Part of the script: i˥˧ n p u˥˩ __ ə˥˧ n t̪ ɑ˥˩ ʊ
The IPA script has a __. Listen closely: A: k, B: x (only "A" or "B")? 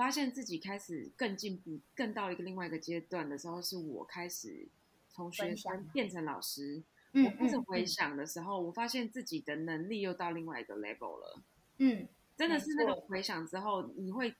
A